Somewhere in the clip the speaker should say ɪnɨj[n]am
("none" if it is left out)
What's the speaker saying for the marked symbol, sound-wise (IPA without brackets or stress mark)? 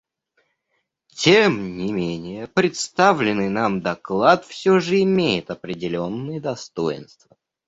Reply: n